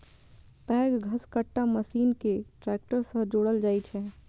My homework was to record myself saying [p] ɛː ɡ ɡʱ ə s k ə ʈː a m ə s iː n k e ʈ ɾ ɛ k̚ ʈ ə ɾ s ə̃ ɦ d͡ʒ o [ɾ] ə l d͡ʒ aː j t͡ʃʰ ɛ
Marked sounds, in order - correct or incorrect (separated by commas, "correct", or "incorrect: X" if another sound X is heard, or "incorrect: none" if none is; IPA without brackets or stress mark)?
correct, incorrect: ɽ